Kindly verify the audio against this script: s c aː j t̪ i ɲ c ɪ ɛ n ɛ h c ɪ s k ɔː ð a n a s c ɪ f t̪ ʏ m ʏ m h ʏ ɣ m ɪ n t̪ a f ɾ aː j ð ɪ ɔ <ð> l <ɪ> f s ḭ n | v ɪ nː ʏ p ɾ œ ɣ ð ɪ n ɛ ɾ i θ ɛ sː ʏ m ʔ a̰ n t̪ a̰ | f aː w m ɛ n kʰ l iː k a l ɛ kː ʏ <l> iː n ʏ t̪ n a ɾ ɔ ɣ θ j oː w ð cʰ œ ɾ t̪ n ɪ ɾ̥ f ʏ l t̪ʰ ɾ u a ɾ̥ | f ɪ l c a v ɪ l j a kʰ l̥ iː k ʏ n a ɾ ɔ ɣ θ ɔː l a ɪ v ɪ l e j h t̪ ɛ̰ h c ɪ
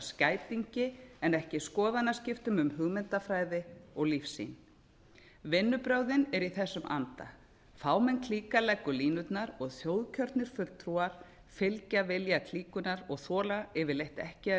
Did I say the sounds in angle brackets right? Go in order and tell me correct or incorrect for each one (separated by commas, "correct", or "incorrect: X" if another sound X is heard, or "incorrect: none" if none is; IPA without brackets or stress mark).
incorrect: ɣ, incorrect: i, correct